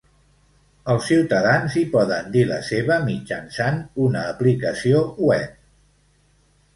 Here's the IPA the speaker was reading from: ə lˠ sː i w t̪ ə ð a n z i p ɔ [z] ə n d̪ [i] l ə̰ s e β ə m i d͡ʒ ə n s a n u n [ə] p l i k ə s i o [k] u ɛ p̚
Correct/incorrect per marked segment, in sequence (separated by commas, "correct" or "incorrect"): incorrect, correct, incorrect, incorrect